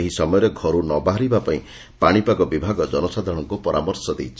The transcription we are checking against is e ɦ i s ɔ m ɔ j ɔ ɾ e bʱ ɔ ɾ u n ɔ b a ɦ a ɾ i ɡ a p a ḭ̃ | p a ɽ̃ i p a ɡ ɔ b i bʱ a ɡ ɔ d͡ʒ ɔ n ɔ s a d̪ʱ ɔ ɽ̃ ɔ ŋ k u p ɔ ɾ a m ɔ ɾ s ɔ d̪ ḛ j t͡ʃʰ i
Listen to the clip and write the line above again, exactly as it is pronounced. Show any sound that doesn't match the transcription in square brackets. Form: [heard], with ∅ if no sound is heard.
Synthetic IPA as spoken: e ɦ i s ɔ m ɔ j ɔ ɾ e [ɡʱ] ɔ ɾ u n ɔ b a ɦ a ɾ i [b] a p a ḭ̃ | p a ɽ̃ i p a ɡ ɔ b i bʱ a ɡ ɔ d͡ʒ ɔ n ɔ s a d̪ʱ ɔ ɽ̃ ɔ ŋ k u p ɔ ɾ a m ɔ ɾ s ɔ d̪ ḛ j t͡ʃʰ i

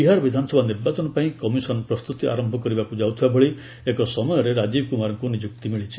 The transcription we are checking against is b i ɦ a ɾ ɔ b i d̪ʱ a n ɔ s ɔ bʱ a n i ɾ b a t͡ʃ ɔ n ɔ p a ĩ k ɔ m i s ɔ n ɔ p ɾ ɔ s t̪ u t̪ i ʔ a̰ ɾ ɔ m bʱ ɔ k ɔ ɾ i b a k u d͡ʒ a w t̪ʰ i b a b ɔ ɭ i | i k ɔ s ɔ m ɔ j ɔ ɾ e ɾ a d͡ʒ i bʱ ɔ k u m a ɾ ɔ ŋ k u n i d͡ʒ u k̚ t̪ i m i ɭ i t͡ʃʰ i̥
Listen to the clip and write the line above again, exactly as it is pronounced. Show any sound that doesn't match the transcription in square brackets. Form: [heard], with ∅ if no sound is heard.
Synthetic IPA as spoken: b i ɦ a ɾ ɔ b i d̪ʱ a n ɔ s ɔ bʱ a n i ɾ b a t͡ʃ ɔ n ɔ p a ĩ k ɔ m i s ɔ n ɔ p ɾ ɔ s t̪ u t̪ i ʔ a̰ ɾ ɔ m bʱ ɔ k ɔ ɾ i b a k u d͡ʒ a w t̪ʰ i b a b ɔ ɭ i | [e] k ɔ s ɔ m ɔ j ɔ ɾ e ɾ a d͡ʒ i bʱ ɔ k u m a ɾ ɔ ŋ k u n i d͡ʒ u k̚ t̪ i m i ɭ i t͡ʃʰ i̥

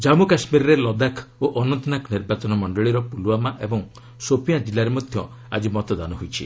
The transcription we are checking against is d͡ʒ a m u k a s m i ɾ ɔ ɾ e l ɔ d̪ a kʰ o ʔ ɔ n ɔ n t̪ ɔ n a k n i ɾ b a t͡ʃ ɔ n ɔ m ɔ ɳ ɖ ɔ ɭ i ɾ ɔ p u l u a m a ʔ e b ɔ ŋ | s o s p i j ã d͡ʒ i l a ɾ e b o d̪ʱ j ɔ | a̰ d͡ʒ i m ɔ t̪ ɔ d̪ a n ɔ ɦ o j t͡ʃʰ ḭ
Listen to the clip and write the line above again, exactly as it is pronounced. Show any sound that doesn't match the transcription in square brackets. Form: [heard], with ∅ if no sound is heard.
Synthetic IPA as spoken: d͡ʒ a m u k a s m i ɾ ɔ ɾ e l ɔ d̪ a kʰ o ʔ ɔ n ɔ n t̪ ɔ n a k n i ɾ b a t͡ʃ ɔ n ɔ m ɔ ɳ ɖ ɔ ɭ i ɾ ɔ p u l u a m a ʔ e b ɔ ŋ | s o [∅] p i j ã d͡ʒ i l a ɾ e [m] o d̪ʱ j ɔ | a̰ d͡ʒ i m ɔ t̪ ɔ d̪ a n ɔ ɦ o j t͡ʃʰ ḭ

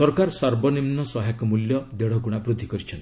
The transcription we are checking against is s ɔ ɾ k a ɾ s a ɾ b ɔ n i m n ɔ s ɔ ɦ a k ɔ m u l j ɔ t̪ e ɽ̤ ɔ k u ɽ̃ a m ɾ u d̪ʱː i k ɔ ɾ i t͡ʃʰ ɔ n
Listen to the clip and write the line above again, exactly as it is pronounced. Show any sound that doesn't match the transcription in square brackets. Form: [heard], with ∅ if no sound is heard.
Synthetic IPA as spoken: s ɔ ɾ k a ɾ s a ɾ b ɔ n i m n ɔ s ɔ ɦ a k ɔ m u l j ɔ [d̪] e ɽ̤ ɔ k u ɽ̃ a [b] ɾ u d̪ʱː i k ɔ ɾ i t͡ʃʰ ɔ n

